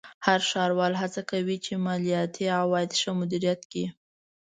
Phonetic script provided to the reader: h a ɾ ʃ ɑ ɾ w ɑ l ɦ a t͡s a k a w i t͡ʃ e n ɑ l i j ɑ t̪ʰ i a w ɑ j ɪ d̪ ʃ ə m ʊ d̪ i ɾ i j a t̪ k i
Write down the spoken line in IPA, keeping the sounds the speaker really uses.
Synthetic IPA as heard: h a ɾ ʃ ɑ ɾ w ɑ l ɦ a t͡s a k a w i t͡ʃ e m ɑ l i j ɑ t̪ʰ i a w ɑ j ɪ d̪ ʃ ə m ʊ d̪ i ɾ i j a t̪ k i